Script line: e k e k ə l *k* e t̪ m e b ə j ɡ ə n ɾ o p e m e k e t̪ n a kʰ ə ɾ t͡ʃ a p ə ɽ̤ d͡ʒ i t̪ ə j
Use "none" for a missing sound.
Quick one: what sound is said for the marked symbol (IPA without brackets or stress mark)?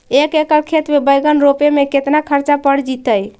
kʰ